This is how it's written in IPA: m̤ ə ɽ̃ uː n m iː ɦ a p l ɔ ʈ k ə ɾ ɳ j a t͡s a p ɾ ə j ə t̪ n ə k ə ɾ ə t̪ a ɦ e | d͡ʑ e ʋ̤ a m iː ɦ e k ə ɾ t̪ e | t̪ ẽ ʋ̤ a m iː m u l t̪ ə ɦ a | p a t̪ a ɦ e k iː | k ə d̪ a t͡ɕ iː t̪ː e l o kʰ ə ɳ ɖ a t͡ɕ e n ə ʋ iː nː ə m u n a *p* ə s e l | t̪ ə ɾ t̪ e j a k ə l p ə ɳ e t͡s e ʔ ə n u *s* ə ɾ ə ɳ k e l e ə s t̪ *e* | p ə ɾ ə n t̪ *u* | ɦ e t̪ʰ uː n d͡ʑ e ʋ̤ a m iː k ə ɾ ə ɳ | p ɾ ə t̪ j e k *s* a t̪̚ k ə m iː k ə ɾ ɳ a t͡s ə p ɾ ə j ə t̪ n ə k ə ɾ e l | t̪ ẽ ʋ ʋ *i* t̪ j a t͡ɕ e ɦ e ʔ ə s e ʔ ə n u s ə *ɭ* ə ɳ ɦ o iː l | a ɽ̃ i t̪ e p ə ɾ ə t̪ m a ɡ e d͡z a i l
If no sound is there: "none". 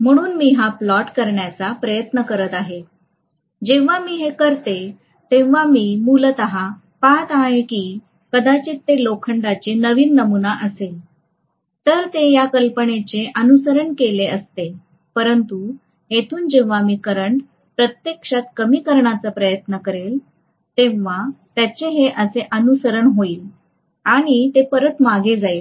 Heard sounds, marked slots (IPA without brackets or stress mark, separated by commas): ʔ, s, e, u, ʂ, a, ɾ